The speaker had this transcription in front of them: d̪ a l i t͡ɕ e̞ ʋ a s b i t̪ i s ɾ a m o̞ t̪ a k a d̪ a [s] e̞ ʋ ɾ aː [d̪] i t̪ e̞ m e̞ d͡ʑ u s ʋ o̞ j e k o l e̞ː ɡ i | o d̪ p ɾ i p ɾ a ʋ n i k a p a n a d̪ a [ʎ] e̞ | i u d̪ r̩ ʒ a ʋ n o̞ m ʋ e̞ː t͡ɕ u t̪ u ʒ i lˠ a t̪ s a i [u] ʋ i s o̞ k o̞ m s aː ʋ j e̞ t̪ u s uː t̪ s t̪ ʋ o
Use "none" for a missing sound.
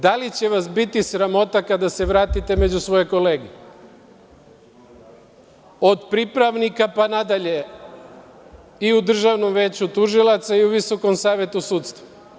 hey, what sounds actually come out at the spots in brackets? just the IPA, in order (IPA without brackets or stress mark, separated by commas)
s, t̪, ʎ, u